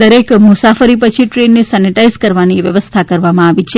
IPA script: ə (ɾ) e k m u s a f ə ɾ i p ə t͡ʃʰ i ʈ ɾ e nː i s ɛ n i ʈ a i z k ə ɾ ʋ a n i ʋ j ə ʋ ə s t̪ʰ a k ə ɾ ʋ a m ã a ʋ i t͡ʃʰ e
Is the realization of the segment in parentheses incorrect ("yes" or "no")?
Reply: no